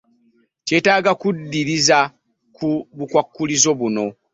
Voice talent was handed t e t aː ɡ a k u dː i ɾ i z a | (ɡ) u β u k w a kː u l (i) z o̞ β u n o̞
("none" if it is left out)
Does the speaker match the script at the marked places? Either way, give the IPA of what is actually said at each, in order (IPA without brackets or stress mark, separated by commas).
k, i